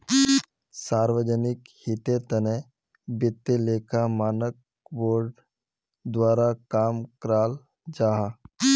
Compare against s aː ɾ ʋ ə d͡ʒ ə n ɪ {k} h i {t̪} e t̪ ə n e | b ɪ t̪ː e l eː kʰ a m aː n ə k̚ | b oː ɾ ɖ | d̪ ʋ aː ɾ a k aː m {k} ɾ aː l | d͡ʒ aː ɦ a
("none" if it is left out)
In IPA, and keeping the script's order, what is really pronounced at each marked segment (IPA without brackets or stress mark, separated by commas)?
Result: k, t̪, k